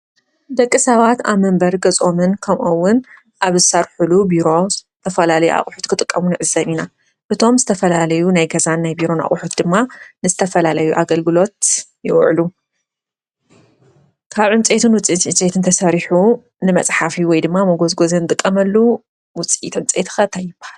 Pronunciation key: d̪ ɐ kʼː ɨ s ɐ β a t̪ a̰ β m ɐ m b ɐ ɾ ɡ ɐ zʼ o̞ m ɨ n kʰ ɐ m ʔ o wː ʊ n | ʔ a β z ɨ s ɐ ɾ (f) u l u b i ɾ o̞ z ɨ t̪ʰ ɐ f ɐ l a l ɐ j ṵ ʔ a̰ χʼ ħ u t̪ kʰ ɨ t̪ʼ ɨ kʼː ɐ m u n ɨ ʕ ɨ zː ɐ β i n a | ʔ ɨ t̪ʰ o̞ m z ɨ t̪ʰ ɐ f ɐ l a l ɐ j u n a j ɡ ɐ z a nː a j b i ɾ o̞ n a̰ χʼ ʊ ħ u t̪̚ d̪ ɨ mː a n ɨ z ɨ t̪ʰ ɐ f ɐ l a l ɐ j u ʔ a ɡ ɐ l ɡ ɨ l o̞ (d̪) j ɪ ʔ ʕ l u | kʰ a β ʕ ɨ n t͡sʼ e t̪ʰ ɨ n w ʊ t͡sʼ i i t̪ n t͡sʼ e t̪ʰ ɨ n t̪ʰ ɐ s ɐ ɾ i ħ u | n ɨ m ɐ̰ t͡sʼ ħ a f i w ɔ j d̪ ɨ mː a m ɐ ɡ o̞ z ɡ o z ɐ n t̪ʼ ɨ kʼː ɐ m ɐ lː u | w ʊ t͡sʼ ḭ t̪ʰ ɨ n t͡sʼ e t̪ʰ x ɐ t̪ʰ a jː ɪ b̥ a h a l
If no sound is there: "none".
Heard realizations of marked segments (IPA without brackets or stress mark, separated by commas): ħ, t̪